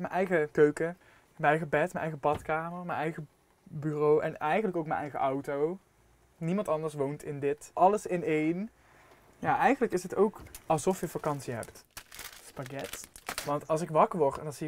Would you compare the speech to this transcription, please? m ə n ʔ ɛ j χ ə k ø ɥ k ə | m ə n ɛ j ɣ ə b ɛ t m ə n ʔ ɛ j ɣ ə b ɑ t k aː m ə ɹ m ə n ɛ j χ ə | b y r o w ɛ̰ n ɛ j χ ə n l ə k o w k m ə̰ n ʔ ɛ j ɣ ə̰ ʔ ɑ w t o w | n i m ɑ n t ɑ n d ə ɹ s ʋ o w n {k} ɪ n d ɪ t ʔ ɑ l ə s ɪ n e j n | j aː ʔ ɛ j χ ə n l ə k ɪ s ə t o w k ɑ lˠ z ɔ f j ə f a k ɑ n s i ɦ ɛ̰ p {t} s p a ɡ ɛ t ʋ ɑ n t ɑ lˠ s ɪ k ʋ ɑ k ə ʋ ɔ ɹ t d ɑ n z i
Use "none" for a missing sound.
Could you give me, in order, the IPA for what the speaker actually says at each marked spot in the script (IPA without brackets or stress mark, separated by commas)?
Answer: t, t